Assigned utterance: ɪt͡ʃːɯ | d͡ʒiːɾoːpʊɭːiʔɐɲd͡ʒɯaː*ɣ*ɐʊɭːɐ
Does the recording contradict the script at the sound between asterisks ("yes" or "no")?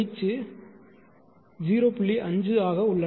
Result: no